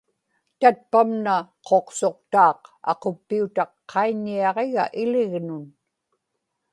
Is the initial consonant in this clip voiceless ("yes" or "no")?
yes